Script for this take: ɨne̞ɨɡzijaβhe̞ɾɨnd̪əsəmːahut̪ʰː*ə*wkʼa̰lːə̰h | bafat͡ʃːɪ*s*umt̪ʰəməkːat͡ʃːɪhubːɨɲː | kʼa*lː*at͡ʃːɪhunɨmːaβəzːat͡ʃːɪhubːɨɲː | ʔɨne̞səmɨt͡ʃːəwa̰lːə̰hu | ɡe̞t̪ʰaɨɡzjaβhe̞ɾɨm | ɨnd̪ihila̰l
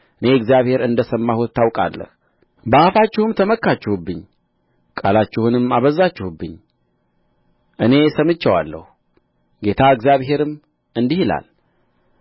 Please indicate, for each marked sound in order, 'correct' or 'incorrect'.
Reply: incorrect, incorrect, incorrect

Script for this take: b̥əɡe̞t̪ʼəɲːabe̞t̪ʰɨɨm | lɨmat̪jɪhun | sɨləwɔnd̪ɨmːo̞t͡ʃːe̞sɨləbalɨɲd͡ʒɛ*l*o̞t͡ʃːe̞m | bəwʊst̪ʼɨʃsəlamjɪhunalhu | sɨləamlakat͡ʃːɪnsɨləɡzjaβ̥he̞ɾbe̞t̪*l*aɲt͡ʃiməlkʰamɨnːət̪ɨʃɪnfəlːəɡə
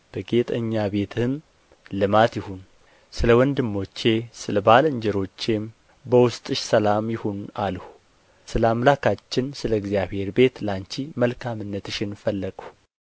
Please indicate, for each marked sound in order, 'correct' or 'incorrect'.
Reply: incorrect, correct

